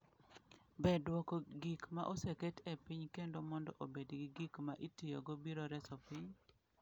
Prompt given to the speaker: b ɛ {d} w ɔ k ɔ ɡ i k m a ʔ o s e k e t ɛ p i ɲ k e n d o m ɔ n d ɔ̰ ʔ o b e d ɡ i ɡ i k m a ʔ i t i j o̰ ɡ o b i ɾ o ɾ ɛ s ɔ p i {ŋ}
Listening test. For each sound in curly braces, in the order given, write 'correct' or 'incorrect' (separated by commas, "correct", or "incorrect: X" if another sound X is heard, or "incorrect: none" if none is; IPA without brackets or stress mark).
correct, incorrect: ɲ